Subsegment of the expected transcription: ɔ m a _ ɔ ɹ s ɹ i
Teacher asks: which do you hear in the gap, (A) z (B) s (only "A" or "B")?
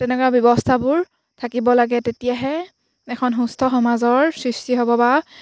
A